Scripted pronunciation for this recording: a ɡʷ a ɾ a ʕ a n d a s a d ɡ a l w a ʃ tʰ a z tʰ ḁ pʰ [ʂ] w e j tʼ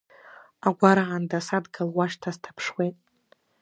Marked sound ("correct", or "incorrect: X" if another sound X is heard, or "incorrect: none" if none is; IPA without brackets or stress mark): correct